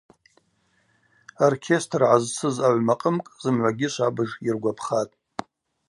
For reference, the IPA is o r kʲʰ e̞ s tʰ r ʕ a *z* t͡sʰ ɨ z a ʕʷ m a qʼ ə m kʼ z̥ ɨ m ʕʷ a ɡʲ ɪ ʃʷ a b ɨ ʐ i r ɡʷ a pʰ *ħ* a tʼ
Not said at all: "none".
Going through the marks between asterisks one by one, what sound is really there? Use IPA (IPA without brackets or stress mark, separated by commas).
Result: z, χ